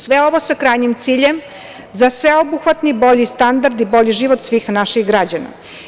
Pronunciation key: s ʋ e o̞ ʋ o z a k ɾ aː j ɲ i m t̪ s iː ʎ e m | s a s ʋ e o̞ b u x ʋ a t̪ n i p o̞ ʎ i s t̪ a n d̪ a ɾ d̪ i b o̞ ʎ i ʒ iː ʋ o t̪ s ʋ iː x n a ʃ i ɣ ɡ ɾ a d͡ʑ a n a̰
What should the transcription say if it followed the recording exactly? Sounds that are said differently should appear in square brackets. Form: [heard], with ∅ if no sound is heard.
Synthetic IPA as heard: s ʋ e o̞ ʋ o [s] a k ɾ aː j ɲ i m t̪ s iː ʎ e m | [z] a s ʋ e o̞ b u x ʋ a t̪ n i [b] o̞ ʎ i s t̪ a n d̪ a ɾ d̪ i b o̞ ʎ i ʒ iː ʋ o t̪ s ʋ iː x n a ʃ i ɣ ɡ ɾ a d͡ʑ a n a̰